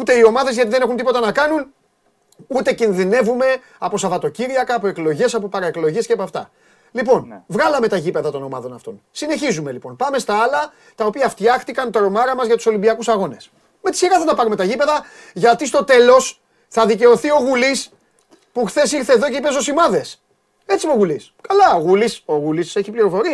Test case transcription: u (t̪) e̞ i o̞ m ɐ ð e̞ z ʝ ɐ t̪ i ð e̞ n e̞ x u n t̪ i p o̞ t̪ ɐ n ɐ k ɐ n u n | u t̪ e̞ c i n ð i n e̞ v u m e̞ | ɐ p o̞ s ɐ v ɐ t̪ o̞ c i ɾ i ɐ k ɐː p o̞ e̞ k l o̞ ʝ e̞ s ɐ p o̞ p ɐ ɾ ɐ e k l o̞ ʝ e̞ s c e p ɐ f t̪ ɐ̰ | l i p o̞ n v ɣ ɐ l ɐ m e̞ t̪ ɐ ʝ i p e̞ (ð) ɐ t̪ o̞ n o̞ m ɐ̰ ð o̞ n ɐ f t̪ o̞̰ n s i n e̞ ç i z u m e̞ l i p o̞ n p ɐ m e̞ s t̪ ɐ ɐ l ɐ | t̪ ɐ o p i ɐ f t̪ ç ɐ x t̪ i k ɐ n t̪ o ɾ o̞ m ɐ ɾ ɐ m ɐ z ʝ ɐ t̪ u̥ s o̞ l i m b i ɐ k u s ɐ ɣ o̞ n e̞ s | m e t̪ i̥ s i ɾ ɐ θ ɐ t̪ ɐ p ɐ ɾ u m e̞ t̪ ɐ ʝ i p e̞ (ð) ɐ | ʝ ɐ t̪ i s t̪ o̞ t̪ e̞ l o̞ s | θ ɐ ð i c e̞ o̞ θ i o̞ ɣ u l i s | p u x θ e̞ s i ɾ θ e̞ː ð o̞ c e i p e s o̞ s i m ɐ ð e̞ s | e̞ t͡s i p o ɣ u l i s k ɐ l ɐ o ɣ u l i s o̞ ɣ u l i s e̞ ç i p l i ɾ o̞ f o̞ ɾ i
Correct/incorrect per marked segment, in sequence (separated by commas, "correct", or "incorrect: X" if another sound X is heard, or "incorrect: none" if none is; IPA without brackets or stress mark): correct, correct, correct